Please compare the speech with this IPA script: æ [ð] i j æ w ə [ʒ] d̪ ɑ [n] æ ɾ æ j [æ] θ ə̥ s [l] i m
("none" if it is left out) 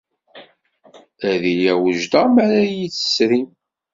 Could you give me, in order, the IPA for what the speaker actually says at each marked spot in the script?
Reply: ð, ʒ, m, i, ɾ

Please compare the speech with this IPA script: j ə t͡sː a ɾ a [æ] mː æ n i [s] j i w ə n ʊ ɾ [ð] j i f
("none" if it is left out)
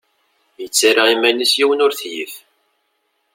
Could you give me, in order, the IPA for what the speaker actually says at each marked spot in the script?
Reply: i, s, θ

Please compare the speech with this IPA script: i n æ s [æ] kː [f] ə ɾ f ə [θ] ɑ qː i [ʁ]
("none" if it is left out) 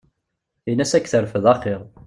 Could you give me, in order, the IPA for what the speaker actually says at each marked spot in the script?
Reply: æ, θ, ð, ʁ

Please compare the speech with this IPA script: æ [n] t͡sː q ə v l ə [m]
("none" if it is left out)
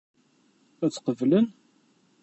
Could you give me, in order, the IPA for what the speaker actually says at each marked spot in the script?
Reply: none, n

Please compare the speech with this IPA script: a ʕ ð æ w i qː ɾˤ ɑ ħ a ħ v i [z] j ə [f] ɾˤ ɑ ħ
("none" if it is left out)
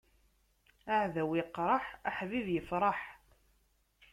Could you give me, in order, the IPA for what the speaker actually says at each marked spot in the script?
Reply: ð, f

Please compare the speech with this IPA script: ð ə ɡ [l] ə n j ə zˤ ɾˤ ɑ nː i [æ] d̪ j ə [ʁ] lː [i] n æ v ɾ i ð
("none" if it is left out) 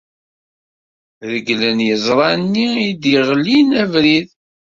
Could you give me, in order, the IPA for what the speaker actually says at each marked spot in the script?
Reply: l, i, ʁ, i

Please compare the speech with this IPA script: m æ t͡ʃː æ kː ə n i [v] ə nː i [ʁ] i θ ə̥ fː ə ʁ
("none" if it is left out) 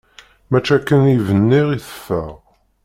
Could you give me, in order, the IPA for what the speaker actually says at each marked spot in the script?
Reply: v, ʁ

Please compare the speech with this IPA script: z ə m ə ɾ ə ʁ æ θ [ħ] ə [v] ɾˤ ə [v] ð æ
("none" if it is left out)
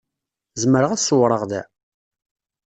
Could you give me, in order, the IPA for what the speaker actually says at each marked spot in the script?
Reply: s, w, ʁ

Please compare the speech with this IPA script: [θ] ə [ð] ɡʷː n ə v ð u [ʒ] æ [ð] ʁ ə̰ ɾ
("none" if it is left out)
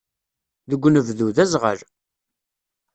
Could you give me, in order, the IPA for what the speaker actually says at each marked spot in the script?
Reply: ð, none, ð, z

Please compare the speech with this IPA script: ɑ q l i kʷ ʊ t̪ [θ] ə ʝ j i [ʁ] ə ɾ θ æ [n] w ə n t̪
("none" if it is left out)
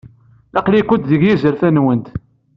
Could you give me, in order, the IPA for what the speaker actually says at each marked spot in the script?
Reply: ð, z, n

